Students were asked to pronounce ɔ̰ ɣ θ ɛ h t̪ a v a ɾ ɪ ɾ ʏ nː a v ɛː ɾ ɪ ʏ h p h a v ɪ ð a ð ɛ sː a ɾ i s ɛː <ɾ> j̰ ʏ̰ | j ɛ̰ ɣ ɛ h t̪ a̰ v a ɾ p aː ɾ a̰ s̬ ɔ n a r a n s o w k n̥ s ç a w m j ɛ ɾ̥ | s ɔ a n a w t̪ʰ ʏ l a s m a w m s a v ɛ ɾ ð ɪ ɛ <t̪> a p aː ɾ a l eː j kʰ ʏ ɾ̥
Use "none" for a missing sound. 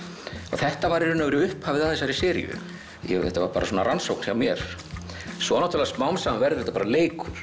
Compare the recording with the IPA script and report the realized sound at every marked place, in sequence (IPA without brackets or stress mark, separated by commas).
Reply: ɾ, t̪